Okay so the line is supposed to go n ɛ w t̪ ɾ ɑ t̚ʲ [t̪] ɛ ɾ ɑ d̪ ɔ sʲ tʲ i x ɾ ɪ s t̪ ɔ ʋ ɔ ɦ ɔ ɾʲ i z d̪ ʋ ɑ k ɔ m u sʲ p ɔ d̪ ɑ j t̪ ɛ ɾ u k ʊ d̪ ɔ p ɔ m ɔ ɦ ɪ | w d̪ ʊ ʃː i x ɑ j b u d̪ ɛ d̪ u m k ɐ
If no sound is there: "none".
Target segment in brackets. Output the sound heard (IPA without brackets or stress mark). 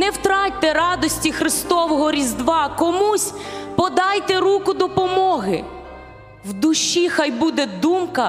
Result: t̪